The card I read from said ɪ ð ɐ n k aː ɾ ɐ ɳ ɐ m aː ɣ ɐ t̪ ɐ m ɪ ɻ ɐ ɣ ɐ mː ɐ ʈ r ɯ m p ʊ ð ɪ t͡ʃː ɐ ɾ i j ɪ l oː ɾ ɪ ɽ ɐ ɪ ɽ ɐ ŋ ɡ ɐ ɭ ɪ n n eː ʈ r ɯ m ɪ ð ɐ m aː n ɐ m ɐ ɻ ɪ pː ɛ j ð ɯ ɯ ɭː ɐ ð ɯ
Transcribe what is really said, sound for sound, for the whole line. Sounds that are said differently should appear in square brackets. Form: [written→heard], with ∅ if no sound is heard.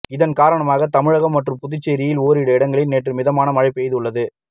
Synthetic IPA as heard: ɪ ð ɐ n k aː ɾ ɐ ɳ ɐ m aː ɣ ɐ t̪ ɐ m ɪ ɻ ɐ ɣ ɐ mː ɐ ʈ r ɯ m p ʊ ð ɪ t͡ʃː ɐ ɾ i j ɪ l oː ɾ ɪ ɽ ɐ ɪ ɽ ɐ ŋ ɡ ɐ ɭ ɪ n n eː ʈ r ɯ m ɪ ð ɐ m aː n ɐ m ɐ ɻ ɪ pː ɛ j ð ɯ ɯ ɭː ɐ ð ɯ